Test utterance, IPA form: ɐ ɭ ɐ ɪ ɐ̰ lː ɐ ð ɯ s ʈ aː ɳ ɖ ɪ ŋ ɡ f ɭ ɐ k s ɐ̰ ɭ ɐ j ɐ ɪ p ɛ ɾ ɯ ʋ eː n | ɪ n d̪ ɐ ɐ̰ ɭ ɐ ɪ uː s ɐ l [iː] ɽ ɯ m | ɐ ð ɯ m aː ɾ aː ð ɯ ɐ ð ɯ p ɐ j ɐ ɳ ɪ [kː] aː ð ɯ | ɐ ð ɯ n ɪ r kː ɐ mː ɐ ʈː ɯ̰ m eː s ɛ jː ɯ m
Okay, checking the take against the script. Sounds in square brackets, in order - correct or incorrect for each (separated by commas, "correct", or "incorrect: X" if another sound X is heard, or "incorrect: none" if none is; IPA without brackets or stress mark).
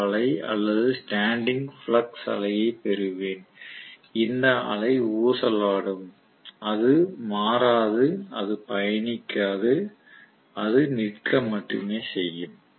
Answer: incorrect: aː, correct